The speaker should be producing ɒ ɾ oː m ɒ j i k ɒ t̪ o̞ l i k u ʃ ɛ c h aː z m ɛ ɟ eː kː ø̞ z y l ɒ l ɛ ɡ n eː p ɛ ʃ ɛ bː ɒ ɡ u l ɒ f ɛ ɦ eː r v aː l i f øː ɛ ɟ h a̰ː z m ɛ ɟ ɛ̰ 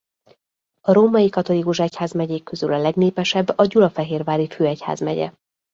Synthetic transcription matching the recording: ɒ ɾ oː m ɒ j i k ɒ t̪ o̞ l i k u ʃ ɛ c h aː z m ɛ ɟ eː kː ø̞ z y l ɒ l ɛ ɡ n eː p ɛ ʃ ɛ bː ɒ ɟ u l ɒ f ɛ ɦ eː r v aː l i f øː ɛ c h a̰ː z m ɛ ɟ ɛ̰